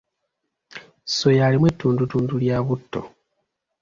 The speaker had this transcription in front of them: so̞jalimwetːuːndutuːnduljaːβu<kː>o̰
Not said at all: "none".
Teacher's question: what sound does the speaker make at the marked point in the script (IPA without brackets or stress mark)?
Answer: tː